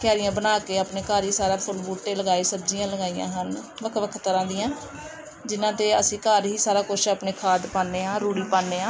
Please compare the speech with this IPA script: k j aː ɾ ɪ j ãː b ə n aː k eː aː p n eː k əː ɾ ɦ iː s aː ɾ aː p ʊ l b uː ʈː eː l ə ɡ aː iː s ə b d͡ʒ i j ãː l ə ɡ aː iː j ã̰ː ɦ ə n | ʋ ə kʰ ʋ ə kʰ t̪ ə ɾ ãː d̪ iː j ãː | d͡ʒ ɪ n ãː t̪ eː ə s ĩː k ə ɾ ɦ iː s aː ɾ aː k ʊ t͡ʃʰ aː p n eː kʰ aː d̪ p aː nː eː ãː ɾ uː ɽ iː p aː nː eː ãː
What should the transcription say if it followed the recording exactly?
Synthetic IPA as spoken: k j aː ɾ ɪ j ãː b ə n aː k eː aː p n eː k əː ɾ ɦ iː s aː ɾ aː pʰ ʊ l b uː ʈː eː l ə ɡ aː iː s ə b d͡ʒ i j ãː l ə ɡ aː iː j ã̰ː ɦ ə n | ʋ ə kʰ ʋ ə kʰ t̪ ə ɾ ãː d̪ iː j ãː | d͡ʒ ɪ n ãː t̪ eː ə s ĩː k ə ɾ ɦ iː s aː ɾ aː k ʊ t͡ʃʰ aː p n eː kʰ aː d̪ p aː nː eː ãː ɾ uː ɽ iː p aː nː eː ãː